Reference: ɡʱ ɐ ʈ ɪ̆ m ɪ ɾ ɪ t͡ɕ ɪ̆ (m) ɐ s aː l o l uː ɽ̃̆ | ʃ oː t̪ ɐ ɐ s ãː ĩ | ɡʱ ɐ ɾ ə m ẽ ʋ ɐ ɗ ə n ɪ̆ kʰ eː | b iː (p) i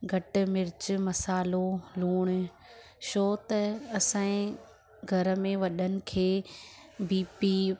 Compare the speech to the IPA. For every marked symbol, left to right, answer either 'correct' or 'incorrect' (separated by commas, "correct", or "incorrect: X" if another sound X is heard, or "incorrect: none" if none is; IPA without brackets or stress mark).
correct, correct